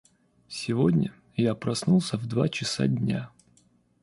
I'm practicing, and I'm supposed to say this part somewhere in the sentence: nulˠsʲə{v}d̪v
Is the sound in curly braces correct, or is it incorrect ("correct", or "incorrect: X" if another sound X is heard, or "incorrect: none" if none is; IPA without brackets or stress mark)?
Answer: correct